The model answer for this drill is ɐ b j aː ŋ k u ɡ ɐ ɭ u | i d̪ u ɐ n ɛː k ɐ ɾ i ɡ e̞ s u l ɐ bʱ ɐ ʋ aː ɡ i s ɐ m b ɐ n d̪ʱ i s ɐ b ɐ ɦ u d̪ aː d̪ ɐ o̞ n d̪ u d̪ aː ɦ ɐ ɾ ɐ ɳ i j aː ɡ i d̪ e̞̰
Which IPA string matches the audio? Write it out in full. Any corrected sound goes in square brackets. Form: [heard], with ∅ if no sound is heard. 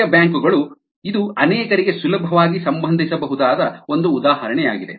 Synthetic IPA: ɐ b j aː ŋ k u ɡ ɐ ɭ u | i d̪ u ɐ n ɛː k ɐ ɾ i ɡ e̞ s u l ɐ bʱ ɐ ʋ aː ɡ i s ɐ m b ɐ n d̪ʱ i s ɐ b ɐ ɦ u d̪ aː d̪ ɐ o̞ n d̪ [uː] d̪ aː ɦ ɐ ɾ ɐ ɳ [ɛ] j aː ɡ i d̪ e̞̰